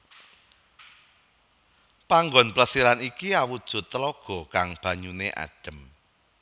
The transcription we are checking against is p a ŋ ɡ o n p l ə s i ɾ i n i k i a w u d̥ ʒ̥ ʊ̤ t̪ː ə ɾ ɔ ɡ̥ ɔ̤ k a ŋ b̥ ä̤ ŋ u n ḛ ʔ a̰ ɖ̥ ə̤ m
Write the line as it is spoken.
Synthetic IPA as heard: p a ŋ ɡ ɔ n p l ə s i ɾ a n i k i a w u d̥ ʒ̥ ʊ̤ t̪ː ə l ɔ ɡ̥ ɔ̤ k a ŋ b̥ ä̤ ɲ u n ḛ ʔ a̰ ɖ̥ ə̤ m